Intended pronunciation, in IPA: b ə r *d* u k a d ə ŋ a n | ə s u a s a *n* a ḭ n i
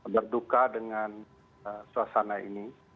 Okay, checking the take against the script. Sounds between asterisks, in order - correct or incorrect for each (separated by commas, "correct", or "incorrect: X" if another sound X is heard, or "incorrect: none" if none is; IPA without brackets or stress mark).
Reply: correct, correct